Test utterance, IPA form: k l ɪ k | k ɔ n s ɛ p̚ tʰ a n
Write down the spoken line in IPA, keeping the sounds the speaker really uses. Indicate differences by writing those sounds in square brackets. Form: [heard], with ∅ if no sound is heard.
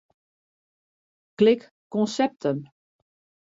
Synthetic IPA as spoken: k l ɪ k | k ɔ n s ɛ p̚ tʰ [ə] n